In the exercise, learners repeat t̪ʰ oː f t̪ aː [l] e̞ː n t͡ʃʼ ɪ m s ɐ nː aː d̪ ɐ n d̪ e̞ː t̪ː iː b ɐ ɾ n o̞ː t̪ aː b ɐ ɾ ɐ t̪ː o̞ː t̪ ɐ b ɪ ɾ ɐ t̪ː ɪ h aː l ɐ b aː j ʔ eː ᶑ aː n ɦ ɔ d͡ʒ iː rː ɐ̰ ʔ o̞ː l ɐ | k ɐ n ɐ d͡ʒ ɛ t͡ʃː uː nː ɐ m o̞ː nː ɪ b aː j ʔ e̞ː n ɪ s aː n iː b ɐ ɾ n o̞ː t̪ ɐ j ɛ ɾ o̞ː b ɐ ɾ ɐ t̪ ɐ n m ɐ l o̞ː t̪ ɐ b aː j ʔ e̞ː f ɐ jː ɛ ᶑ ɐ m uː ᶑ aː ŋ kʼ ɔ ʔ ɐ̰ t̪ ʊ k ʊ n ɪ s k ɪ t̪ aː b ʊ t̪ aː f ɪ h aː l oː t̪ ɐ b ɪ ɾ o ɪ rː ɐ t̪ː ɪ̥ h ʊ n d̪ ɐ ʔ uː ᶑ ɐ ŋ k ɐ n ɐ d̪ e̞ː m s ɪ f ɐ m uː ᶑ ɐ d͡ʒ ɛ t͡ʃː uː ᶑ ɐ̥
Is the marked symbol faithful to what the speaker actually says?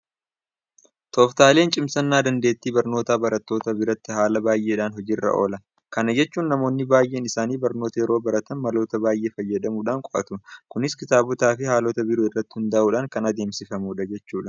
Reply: yes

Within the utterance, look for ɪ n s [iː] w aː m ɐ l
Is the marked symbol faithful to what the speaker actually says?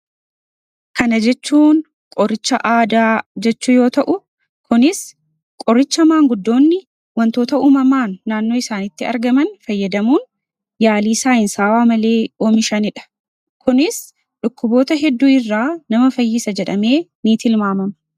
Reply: no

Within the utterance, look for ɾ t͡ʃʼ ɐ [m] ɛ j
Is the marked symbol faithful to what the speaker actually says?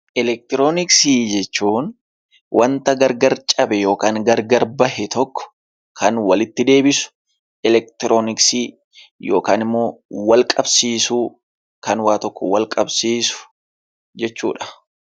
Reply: no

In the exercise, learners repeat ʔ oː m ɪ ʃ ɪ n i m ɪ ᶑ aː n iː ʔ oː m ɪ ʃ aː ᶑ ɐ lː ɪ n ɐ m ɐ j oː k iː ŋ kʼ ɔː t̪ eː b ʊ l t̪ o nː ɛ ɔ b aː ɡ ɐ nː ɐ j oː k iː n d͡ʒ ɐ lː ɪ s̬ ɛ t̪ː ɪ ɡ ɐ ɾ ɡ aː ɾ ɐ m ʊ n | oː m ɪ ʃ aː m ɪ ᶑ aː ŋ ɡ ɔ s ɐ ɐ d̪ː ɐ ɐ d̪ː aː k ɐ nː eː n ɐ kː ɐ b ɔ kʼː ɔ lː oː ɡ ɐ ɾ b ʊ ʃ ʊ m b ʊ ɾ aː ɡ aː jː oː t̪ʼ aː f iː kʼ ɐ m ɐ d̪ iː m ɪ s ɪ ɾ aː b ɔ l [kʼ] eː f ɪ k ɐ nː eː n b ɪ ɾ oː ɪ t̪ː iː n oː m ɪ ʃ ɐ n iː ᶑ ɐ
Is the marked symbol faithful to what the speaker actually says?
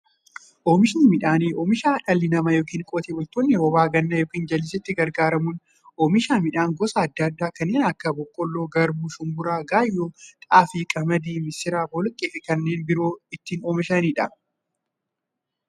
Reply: yes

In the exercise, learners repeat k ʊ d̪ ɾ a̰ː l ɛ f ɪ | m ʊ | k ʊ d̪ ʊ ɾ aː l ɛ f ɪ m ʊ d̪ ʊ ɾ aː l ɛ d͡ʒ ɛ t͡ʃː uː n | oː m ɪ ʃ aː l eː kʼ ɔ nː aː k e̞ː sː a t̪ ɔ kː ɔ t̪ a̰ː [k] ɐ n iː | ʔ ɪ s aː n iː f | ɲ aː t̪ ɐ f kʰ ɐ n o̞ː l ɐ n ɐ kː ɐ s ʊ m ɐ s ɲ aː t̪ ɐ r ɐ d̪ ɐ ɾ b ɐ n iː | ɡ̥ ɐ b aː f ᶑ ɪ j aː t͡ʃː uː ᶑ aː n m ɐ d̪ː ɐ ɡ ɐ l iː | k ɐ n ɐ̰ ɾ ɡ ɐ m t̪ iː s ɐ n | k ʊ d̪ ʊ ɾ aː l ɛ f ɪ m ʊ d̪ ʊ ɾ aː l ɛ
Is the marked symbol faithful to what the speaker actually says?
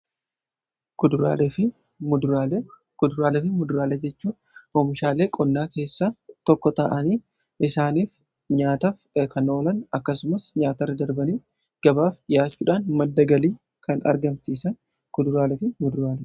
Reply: no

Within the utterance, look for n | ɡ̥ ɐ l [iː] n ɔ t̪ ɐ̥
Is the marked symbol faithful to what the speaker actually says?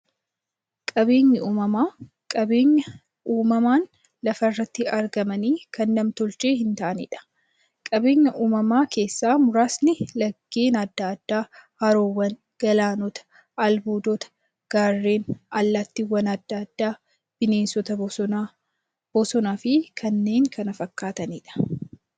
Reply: no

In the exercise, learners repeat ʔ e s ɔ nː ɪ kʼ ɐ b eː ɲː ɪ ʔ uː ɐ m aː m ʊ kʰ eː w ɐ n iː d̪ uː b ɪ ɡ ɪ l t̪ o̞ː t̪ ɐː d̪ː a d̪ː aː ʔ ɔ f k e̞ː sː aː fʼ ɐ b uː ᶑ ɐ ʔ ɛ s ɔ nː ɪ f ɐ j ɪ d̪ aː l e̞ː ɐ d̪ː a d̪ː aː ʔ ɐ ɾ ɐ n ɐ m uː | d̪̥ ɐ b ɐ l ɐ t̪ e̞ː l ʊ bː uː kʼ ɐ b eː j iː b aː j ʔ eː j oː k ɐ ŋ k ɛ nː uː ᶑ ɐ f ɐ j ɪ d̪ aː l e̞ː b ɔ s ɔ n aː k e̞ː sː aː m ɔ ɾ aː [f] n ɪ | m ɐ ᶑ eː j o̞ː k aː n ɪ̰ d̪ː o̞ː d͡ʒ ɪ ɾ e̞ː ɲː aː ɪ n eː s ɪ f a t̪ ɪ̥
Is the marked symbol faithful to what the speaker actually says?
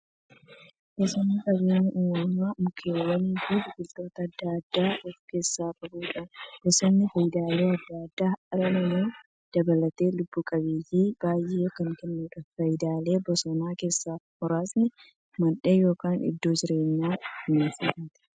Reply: no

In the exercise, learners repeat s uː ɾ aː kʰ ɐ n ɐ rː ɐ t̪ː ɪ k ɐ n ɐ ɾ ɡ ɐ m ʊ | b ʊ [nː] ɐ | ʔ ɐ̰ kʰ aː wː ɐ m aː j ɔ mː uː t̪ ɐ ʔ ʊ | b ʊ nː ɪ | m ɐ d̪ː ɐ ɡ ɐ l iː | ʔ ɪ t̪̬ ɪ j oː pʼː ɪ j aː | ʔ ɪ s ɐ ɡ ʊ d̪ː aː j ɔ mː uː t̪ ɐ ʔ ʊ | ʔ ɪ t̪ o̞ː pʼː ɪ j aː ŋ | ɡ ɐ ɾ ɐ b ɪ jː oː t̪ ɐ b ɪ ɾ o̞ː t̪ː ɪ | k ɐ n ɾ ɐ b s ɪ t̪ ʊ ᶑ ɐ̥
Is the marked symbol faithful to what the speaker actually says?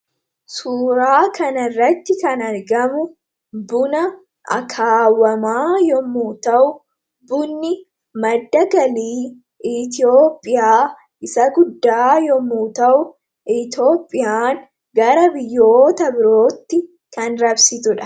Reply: no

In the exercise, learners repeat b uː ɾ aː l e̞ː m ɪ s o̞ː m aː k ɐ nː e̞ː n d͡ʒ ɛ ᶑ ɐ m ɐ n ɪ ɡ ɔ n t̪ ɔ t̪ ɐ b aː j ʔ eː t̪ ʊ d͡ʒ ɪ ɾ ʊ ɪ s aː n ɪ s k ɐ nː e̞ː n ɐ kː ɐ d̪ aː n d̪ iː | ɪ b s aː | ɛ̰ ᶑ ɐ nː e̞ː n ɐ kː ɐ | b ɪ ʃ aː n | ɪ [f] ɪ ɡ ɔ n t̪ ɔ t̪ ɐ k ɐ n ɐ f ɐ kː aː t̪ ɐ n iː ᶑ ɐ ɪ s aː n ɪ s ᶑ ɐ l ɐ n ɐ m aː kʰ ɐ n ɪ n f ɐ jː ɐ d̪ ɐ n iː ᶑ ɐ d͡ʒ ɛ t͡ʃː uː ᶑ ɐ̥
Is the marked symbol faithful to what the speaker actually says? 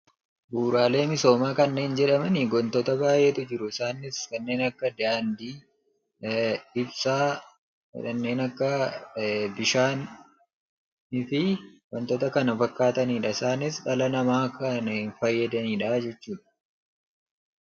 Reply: yes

